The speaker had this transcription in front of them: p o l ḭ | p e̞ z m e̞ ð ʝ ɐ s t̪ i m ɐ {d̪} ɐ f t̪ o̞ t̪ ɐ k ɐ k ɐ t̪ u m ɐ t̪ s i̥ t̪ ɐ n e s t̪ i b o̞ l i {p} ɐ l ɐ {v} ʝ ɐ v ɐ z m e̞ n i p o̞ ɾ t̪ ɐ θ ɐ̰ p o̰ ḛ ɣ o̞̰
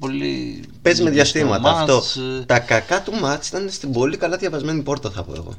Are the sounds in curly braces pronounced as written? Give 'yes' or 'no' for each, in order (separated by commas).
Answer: no, no, no